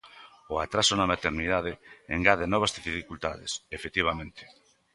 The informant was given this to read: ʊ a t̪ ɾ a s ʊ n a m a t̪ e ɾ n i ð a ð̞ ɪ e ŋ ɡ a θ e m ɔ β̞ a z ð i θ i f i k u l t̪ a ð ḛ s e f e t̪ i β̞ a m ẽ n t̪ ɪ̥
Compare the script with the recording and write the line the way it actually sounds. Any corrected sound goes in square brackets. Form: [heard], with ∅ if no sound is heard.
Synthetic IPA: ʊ a t̪ ɾ a s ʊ n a m a t̪ e ɾ n i ð a ð̞ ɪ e ŋ ɡ a [ð] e [n] ɔ β̞ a z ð i [f] i f i k u l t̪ a ð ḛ s e f e t̪ i β̞ a m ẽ n t̪ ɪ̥

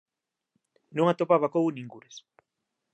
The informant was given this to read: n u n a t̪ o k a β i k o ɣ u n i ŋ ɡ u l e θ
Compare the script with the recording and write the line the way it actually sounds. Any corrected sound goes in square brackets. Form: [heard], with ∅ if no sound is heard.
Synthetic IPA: n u [ŋ] a t̪ o [p] a β [a] k o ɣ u n i ŋ ɡ u [ɾ] e [s]

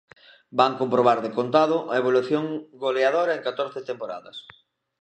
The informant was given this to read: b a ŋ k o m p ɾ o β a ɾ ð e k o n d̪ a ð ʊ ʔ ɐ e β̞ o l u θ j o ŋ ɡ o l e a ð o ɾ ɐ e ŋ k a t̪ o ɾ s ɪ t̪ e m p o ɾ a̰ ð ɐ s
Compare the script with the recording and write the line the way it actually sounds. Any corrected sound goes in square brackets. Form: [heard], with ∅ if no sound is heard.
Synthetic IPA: b a ŋ k o m p ɾ o β a ɾ ð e k o n [t̪] a ð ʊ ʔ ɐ e β̞ o l u θ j o ŋ ɡ o l e a ð o ɾ ɐ e ŋ k a t̪ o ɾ [θ] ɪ t̪ e m p o ɾ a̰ ð ɐ s

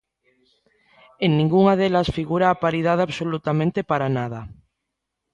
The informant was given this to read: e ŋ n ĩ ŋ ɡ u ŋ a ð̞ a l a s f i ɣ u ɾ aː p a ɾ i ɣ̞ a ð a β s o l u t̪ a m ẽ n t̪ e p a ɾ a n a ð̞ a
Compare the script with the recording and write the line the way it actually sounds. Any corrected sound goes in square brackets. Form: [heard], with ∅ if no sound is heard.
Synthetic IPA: e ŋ n ĩ ŋ ɡ u ŋ a ð̞ [e] l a s f i ɣ u ɾ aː p a ɾ i [ð̞] a ð a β s o l u t̪ a m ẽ n t̪ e p a ɾ a n a ð̞ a

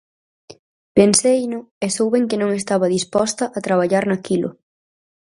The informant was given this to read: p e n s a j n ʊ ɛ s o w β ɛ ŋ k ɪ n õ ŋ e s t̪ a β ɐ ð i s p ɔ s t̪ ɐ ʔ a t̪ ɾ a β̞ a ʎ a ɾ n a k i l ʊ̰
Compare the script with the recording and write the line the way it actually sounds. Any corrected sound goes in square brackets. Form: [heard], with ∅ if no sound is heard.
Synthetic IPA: p e n s [e] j n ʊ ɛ s o w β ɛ ŋ k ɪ n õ ŋ e s t̪ a β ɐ ð i s p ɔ s t̪ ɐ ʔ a t̪ ɾ a β̞ a ʎ a ɾ n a k i l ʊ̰

